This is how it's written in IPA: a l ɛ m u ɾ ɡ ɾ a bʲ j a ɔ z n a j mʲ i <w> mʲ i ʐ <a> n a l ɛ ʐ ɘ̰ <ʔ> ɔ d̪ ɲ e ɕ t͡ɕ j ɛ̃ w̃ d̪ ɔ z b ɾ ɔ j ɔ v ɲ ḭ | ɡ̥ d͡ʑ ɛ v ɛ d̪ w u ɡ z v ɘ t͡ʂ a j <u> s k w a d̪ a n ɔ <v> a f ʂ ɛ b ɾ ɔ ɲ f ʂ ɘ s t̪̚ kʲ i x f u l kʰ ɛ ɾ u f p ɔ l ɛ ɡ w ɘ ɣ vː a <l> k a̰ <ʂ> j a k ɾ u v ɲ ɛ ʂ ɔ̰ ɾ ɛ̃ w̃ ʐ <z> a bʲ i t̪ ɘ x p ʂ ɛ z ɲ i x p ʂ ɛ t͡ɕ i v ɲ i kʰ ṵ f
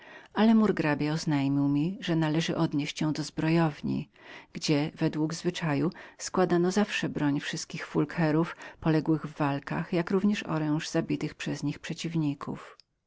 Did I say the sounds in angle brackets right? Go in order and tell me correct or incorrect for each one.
correct, incorrect: ɛ, correct, correct, incorrect: z, correct, incorrect: x, correct

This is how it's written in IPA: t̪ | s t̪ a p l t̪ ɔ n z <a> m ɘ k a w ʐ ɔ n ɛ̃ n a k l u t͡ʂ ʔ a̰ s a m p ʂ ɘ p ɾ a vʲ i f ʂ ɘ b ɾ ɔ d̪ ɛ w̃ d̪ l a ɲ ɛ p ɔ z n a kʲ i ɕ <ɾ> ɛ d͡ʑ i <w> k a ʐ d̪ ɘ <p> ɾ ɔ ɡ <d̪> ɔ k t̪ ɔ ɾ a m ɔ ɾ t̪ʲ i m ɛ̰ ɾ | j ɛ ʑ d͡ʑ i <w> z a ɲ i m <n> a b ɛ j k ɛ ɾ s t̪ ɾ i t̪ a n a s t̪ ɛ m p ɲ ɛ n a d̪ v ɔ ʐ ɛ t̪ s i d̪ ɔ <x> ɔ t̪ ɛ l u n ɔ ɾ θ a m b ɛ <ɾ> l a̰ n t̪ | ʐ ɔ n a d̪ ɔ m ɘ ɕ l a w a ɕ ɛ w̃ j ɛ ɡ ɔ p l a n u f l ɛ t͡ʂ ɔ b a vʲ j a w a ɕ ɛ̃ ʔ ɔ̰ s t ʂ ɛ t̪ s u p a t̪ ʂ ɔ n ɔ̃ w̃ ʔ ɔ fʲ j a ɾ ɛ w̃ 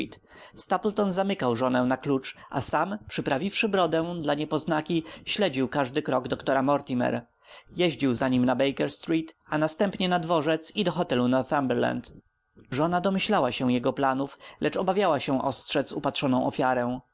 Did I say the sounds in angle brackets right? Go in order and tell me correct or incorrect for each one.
correct, incorrect: l, correct, incorrect: k, correct, correct, correct, correct, correct

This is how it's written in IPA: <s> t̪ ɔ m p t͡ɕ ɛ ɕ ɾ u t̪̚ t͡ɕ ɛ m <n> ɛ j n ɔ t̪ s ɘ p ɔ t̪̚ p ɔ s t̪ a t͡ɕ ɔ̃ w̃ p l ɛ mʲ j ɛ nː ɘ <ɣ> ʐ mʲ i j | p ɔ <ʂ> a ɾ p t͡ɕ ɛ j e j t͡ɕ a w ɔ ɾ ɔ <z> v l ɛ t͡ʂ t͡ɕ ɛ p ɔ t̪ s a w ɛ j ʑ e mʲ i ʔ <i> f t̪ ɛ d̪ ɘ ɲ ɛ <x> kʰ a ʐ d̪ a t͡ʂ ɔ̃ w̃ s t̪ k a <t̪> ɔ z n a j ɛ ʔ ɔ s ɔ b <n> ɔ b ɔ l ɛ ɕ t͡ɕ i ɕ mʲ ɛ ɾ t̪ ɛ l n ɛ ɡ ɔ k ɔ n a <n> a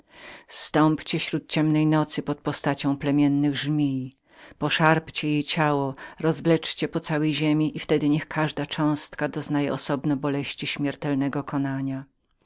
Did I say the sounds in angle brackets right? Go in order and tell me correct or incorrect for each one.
correct, correct, correct, correct, correct, correct, correct, incorrect: d̪, correct, incorrect: ɲ

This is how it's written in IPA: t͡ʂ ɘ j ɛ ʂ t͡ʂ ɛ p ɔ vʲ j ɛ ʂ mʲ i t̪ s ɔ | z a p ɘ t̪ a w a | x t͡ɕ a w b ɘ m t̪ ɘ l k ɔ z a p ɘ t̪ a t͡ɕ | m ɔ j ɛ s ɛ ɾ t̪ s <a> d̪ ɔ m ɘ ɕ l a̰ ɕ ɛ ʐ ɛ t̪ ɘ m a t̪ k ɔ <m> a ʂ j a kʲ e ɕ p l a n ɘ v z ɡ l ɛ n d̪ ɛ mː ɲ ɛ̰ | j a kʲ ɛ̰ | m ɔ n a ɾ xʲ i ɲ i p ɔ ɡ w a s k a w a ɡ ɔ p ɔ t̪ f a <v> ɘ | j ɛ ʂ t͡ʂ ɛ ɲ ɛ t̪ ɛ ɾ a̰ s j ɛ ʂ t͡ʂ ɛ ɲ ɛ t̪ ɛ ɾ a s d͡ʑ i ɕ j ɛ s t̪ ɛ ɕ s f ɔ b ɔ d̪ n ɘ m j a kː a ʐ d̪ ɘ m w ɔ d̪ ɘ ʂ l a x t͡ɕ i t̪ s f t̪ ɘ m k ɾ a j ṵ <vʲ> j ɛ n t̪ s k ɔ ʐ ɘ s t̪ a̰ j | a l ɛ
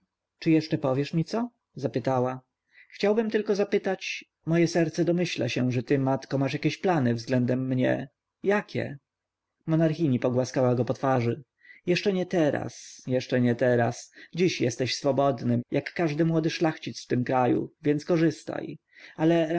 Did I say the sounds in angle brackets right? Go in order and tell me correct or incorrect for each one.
incorrect: ɛ, correct, incorrect: ʐ, correct

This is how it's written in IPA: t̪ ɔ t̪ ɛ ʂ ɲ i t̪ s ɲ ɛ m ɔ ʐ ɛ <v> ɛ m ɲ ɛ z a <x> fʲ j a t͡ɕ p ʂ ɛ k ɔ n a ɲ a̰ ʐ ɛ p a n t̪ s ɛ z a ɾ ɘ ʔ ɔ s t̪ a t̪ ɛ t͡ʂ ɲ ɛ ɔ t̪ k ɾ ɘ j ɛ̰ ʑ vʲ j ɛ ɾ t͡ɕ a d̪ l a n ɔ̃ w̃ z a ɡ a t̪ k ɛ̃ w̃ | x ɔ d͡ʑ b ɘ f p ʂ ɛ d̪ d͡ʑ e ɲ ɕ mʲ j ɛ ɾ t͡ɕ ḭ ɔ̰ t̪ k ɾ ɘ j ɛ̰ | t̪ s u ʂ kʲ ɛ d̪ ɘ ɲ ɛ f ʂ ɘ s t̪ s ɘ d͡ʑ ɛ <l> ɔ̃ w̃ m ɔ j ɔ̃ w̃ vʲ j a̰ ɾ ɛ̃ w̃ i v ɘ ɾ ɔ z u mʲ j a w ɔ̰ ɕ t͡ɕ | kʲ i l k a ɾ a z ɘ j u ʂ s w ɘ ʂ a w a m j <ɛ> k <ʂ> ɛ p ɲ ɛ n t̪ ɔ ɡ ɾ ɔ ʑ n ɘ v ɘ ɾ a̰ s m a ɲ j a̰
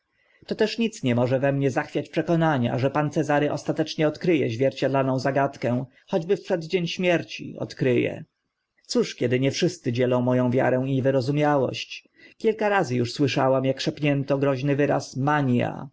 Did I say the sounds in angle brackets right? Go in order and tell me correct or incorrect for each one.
correct, correct, correct, incorrect: a, correct

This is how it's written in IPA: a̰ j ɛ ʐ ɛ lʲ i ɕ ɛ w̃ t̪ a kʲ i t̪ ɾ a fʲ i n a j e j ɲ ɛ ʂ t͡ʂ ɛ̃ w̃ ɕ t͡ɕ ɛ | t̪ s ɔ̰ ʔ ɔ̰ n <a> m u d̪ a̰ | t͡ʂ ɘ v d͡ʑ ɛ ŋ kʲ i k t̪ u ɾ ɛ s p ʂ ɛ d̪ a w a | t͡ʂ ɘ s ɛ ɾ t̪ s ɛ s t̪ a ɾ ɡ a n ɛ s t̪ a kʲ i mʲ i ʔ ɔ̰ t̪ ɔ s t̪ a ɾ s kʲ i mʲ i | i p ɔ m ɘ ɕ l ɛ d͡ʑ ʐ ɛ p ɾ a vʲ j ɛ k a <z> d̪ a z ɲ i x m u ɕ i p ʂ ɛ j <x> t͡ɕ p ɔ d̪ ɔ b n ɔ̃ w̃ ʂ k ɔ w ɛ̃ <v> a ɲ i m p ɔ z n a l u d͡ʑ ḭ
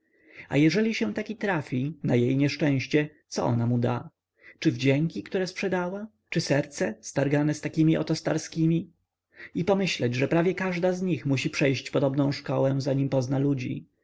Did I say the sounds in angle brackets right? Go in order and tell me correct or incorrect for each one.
correct, incorrect: ʐ, incorrect: ɕ, incorrect: z

